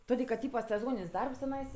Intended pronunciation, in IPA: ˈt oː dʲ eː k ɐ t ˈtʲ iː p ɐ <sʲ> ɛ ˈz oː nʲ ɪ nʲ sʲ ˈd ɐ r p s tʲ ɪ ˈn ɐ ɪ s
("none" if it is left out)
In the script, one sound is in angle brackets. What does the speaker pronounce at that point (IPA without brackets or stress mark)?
sʲ